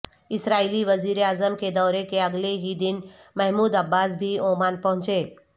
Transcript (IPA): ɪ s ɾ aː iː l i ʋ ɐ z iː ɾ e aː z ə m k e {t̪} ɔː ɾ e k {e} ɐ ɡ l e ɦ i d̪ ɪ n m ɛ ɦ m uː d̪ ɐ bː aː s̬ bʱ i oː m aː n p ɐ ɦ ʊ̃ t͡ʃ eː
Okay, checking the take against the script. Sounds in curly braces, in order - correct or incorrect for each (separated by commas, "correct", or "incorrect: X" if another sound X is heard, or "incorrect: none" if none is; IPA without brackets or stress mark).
incorrect: d̪, correct